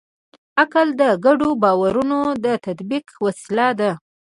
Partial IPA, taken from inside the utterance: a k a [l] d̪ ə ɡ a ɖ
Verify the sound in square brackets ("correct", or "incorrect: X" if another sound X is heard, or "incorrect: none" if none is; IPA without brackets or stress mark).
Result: correct